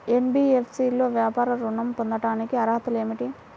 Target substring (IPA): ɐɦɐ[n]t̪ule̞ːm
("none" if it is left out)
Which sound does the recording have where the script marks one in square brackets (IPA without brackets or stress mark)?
none